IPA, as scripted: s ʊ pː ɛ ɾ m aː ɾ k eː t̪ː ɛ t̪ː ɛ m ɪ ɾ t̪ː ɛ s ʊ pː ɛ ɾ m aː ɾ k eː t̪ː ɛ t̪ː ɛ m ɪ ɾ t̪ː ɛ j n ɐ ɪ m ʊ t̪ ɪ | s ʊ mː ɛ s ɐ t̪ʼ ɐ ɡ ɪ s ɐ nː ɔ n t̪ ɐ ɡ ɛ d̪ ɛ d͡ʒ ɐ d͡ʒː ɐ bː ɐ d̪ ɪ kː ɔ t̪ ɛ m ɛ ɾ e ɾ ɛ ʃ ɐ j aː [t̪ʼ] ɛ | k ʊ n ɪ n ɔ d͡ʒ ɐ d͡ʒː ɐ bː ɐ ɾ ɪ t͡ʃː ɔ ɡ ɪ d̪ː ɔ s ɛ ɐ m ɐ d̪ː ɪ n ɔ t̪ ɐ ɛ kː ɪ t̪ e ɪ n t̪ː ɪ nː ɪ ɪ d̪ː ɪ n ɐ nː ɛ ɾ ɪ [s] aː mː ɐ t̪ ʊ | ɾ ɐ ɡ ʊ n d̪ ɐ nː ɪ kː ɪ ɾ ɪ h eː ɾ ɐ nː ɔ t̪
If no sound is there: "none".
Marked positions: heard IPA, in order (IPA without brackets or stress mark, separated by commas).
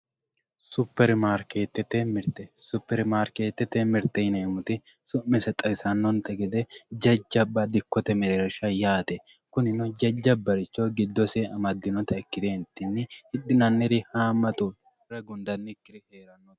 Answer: t̪, h